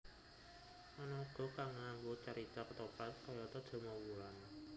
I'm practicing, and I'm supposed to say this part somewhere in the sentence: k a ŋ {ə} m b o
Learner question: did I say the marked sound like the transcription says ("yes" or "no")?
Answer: no